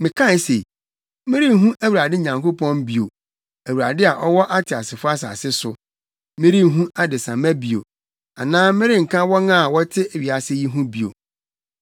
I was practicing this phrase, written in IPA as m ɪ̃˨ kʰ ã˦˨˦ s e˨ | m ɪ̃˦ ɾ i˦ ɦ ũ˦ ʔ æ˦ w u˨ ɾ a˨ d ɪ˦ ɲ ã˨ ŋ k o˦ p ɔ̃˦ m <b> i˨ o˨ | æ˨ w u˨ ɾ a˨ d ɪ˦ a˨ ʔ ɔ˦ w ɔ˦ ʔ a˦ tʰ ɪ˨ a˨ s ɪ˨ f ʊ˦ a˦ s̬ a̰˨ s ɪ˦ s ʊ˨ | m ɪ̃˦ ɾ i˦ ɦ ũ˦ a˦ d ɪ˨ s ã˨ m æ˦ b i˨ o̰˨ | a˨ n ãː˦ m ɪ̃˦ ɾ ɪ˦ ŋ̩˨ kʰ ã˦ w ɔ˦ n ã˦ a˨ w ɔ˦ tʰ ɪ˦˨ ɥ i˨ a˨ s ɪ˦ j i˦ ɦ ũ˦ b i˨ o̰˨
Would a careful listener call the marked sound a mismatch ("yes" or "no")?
no